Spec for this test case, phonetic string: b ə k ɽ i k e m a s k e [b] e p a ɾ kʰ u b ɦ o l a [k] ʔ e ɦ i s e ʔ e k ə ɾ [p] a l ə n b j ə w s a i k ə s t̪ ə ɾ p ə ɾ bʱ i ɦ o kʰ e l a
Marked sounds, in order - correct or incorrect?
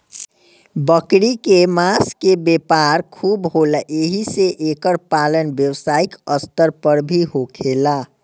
correct, incorrect: none, correct

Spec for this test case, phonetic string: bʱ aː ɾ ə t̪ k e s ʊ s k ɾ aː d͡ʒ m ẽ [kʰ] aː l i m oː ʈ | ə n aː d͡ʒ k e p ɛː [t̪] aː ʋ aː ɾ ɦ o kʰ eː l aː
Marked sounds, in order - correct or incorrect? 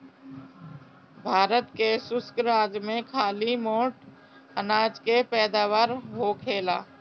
correct, incorrect: d̪

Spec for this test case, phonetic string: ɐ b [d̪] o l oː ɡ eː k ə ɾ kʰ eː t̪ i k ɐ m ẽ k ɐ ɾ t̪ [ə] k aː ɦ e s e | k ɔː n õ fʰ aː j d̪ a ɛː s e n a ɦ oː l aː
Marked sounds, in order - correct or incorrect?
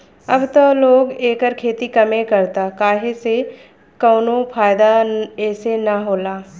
incorrect: t̪, incorrect: a

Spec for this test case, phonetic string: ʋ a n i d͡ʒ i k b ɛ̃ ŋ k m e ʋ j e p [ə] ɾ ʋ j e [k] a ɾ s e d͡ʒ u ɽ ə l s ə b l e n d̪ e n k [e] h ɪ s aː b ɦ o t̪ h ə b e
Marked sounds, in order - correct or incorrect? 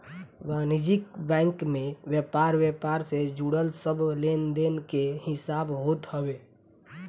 incorrect: a, incorrect: p, correct

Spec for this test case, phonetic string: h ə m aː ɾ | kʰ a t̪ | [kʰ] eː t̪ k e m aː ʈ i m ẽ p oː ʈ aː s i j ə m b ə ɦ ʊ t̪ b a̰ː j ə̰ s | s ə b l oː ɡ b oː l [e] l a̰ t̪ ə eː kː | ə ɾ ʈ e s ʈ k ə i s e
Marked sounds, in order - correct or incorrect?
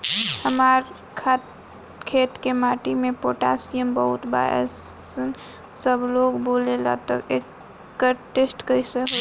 correct, correct

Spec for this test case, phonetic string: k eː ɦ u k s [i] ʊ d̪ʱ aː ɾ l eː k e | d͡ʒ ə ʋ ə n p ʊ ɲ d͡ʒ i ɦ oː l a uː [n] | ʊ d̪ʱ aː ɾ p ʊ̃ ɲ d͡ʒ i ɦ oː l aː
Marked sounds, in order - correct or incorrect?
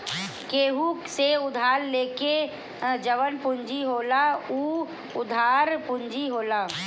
incorrect: e, incorrect: none

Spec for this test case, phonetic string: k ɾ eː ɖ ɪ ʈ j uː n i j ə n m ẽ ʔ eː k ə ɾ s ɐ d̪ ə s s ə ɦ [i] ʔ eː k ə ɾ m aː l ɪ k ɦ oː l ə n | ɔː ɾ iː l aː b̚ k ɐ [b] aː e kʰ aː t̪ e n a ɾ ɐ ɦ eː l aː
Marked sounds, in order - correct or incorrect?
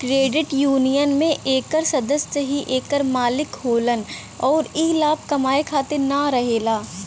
correct, incorrect: m

